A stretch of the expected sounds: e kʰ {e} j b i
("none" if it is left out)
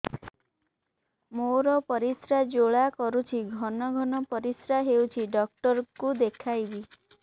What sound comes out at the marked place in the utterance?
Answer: a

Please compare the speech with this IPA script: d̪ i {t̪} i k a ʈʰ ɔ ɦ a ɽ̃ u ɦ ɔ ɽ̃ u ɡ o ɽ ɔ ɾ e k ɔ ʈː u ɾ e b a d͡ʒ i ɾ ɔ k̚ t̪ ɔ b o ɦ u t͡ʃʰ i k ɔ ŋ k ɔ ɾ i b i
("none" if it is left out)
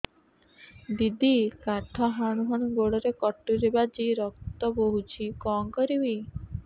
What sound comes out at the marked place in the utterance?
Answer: d̪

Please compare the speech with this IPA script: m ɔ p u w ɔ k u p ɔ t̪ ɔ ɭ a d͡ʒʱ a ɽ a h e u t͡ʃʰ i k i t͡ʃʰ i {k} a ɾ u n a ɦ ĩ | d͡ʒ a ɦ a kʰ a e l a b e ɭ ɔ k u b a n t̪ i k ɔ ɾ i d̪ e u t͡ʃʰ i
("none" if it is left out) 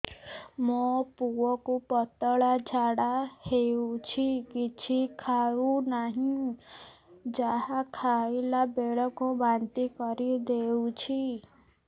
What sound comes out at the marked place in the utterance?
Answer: kʰ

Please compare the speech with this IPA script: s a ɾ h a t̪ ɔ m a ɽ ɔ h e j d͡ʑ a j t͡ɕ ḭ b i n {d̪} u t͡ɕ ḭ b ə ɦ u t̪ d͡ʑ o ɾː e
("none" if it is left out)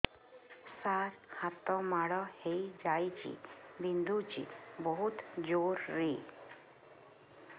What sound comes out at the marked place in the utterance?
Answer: d̪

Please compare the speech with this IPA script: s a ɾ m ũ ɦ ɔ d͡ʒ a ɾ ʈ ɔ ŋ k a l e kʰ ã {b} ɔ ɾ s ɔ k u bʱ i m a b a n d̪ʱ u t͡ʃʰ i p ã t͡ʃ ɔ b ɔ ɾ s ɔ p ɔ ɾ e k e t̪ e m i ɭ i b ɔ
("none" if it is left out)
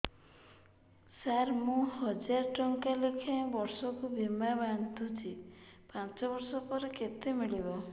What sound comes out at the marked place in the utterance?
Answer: b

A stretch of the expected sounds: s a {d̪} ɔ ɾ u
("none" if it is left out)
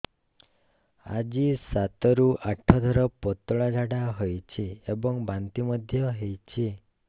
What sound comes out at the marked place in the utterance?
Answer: t̪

